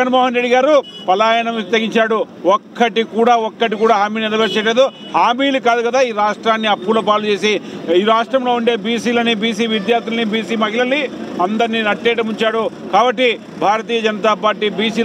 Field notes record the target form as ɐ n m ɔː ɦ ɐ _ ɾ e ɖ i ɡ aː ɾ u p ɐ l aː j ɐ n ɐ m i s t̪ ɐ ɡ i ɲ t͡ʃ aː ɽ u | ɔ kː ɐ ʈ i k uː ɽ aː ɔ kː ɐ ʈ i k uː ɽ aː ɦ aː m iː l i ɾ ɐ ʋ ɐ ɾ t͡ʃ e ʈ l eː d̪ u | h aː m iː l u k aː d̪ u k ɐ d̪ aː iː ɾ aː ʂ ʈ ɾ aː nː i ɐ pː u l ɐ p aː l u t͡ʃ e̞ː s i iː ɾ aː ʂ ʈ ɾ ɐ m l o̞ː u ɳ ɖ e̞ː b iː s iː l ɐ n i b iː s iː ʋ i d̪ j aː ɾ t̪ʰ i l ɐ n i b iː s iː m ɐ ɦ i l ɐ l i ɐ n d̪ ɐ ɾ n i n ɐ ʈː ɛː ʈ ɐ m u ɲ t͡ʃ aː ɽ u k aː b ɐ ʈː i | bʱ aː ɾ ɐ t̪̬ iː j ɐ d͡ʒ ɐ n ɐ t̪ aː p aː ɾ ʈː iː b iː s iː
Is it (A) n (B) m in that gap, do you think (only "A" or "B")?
A